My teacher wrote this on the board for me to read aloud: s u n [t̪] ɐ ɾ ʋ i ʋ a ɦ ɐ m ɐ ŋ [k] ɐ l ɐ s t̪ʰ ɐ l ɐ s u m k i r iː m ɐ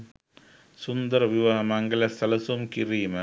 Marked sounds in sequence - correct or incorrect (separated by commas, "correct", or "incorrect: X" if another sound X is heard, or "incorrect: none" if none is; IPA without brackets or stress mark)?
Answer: incorrect: d̪, incorrect: ɡ